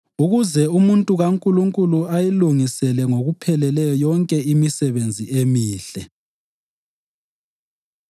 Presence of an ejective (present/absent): present